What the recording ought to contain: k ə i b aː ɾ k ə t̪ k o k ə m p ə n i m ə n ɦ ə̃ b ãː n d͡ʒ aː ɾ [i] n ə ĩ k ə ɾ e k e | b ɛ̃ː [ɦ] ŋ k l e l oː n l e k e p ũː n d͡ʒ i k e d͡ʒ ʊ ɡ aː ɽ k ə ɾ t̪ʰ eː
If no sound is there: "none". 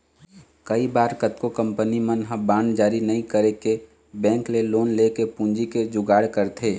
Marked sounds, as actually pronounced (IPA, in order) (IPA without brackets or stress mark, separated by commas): i, none